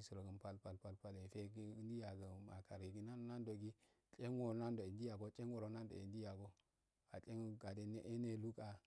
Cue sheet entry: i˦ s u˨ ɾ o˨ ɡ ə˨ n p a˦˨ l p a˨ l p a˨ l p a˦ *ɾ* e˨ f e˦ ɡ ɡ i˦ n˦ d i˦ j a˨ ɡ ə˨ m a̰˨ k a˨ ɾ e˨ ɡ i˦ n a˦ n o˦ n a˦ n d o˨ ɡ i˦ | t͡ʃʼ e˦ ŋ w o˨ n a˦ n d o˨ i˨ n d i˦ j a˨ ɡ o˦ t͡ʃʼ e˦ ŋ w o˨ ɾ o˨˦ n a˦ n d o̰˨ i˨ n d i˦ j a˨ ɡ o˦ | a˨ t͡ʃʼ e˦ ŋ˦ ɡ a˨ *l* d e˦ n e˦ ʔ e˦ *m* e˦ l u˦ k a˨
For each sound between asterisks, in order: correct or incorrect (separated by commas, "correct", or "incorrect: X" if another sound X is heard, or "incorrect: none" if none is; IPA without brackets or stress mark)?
incorrect: l, incorrect: none, incorrect: n